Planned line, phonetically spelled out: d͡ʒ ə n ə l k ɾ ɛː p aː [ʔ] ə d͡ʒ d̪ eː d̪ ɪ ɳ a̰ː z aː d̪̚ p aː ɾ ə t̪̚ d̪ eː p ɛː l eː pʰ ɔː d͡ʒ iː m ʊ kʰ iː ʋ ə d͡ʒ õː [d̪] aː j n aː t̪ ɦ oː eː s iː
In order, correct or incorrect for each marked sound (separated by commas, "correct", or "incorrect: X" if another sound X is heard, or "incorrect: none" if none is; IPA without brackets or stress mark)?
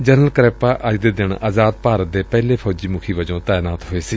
correct, incorrect: t̪